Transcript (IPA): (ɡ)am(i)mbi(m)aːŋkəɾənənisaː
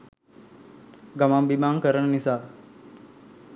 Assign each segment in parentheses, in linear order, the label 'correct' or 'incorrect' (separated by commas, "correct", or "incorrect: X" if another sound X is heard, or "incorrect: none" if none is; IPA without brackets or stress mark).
correct, incorrect: a, correct